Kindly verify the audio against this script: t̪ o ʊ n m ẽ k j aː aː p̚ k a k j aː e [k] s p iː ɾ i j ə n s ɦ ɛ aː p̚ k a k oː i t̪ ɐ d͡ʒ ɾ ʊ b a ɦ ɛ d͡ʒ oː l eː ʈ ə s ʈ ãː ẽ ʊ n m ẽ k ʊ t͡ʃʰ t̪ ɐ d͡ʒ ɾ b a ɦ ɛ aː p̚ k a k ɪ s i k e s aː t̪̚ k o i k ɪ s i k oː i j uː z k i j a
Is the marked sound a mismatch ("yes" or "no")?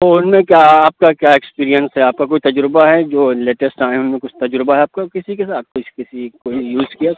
no